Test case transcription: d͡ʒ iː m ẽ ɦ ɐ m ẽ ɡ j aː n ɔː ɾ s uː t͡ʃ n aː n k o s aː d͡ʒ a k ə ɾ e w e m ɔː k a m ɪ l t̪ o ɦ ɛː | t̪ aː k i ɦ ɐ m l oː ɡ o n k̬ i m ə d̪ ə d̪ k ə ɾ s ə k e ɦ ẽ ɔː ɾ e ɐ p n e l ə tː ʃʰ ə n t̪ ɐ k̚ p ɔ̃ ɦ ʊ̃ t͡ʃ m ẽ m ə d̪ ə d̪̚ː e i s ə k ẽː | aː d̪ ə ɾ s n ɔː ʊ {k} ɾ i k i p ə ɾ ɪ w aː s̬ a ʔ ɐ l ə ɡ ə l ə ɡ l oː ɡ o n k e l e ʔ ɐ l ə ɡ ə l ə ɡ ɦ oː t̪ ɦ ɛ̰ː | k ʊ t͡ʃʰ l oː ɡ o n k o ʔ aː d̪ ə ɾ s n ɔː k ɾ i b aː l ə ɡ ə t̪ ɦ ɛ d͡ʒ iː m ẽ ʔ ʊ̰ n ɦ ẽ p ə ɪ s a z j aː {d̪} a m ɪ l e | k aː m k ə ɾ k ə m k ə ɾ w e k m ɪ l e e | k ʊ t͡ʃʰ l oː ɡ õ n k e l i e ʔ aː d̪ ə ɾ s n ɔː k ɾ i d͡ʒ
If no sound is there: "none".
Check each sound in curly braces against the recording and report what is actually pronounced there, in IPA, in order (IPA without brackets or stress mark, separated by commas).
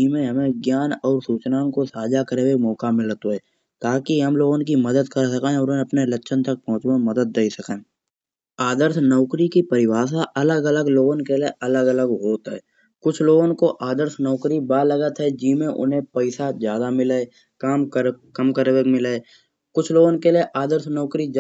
k, d̪